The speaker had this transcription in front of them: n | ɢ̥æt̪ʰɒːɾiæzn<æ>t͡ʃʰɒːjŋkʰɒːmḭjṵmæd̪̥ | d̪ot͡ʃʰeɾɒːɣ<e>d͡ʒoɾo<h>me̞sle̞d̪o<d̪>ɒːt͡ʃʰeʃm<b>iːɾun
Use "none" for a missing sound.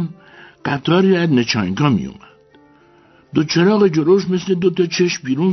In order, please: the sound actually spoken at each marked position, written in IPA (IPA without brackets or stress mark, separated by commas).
e, e, ʃ, t̪, b